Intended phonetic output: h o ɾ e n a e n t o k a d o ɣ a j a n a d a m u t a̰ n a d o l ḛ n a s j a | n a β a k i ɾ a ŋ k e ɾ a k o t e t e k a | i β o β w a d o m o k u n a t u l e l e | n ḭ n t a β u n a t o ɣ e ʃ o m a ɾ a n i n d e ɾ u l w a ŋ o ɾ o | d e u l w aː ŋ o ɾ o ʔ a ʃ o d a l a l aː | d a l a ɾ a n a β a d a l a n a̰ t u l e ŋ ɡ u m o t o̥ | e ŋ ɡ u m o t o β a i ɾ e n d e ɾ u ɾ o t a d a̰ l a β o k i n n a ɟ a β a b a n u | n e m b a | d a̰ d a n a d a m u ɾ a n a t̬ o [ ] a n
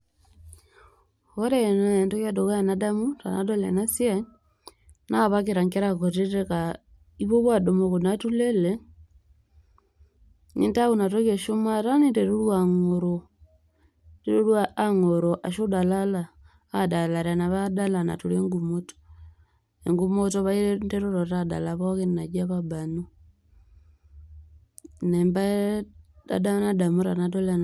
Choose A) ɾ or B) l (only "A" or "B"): B